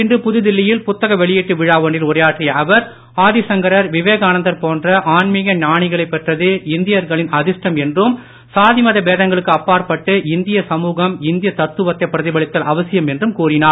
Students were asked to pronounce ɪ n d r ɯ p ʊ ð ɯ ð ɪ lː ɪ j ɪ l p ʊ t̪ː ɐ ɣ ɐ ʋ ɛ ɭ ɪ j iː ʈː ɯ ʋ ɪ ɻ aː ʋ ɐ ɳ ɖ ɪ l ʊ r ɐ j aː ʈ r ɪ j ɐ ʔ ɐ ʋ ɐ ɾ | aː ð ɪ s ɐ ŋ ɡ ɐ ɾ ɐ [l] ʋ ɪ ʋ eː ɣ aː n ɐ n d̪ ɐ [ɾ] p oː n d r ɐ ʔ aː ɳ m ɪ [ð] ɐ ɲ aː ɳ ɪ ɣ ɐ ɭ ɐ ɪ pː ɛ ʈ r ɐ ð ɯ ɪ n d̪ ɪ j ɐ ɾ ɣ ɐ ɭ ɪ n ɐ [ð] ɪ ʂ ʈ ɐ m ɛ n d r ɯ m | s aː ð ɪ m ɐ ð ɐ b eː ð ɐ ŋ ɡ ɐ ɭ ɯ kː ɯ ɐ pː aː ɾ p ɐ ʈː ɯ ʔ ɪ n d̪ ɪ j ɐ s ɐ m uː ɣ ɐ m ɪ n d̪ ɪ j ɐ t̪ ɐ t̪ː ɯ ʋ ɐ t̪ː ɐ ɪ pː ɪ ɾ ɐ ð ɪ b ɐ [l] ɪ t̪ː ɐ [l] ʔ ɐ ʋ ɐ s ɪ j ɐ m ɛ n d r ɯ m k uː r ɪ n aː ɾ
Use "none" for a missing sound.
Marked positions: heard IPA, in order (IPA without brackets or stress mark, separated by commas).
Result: ɾ, ɾ, ɣ, ð, ɭ, l